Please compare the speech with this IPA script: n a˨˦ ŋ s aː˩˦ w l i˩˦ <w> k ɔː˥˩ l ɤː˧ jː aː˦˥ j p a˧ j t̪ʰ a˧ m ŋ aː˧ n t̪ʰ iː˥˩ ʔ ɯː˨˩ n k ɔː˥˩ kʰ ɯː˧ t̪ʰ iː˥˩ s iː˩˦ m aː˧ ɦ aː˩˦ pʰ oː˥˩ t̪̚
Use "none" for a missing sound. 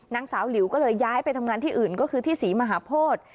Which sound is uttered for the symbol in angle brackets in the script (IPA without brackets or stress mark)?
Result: w